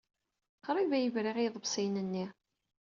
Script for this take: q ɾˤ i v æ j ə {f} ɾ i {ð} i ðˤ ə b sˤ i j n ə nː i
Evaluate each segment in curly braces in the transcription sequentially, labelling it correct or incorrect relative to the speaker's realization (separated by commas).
incorrect, incorrect